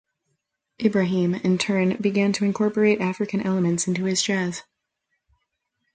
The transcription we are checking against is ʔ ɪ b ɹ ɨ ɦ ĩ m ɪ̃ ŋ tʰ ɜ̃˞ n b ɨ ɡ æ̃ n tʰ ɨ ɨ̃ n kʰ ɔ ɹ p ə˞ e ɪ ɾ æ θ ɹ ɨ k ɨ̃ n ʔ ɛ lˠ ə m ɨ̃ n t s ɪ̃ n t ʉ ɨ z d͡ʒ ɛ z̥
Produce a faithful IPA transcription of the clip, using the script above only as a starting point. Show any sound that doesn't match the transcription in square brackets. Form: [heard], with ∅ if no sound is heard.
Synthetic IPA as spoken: ʔ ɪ b ɹ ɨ ɦ ĩ m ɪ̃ [n] tʰ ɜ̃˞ n b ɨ ɡ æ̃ n tʰ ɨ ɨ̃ n kʰ ɔ ɹ p ə˞ e ɪ ɾ æ [f] ɹ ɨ k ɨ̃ n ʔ ɛ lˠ ə m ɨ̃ n t s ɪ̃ n t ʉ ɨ z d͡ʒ ɛ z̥